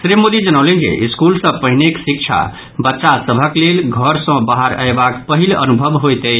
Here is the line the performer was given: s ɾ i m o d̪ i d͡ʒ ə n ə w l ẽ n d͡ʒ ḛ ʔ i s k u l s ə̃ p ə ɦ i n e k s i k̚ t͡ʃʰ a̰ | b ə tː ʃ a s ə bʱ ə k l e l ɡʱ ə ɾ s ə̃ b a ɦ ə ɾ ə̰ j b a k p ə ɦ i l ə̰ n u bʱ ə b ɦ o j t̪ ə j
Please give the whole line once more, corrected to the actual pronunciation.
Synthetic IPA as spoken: s ɾ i m o d̪ i d͡ʒ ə n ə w l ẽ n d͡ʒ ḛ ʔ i s k u l s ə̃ p ə ɦ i n e k s i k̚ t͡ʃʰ a̰ | b ə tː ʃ a s ə bʱ ə k l e l ɡʱ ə ɾ s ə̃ b a ɦ ə ɾ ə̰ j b a k p ə ɦ i l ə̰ n u bʱ ə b ɦ o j t̪ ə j